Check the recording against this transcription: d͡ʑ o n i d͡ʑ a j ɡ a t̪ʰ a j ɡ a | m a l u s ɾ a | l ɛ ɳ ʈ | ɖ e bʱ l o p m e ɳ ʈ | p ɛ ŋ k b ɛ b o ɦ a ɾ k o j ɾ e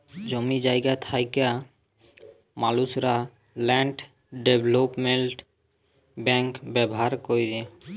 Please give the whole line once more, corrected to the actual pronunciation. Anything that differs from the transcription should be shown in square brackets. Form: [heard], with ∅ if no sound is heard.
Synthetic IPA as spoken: d͡ʑ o [m] i d͡ʑ a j ɡ a t̪ʰ a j [k] a | m a l u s ɾ a | l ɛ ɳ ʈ | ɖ e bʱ l o p m e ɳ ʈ | [b] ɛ ŋ k b ɛ b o ɦ a ɾ k o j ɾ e

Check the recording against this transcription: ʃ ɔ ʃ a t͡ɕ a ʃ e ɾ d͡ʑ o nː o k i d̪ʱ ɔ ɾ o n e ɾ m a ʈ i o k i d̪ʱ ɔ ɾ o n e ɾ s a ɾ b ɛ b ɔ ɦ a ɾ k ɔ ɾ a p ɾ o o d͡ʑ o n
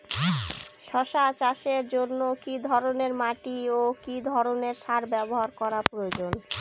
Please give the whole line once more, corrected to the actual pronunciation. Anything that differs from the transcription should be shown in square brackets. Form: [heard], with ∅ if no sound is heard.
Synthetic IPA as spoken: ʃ ɔ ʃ a t͡ɕ a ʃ e ɾ d͡ʑ o nː o k i d̪ʱ ɔ ɾ o n e ɾ m a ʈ i o k i d̪ʱ ɔ ɾ o n e ɾ [ʃ] a ɾ b ɛ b [o] ɦ a ɾ k ɔ ɾ a p ɾ o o d͡ʑ o n

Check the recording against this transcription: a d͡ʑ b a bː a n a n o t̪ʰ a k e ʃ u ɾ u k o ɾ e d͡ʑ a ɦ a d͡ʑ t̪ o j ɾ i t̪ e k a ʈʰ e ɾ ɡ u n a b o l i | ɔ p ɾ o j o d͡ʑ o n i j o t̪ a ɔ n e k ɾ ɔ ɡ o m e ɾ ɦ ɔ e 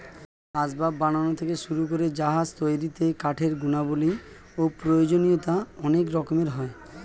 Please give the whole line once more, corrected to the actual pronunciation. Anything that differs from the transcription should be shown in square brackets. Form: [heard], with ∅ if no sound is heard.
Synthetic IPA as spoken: a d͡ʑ b a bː a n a n o t̪ʰ [e] k e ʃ u ɾ u k o ɾ e d͡ʑ a ɦ a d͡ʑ t̪ o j ɾ i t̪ e k a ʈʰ e ɾ ɡ u n a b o l i | [o] p ɾ o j o d͡ʑ o n i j o t̪ a ɔ n e k ɾ ɔ [k] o m e ɾ ɦ ɔ e

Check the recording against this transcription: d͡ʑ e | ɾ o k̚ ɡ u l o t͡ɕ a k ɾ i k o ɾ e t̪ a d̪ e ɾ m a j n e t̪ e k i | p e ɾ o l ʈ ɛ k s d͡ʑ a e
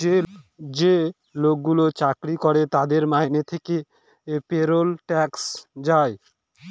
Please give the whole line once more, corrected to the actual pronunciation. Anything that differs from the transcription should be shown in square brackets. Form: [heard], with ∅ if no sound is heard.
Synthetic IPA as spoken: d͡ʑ e | [l] o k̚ ɡ u l o t͡ɕ a k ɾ i k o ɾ e t̪ a d̪ e ɾ m a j n e [t̪ʰ] e k [e] | p e ɾ o l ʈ ɛ k s d͡ʑ a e

